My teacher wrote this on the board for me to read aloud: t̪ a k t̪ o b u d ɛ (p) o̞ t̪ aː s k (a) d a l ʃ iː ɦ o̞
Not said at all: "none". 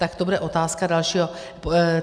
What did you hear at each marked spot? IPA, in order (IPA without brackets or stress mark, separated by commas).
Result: ʔ, a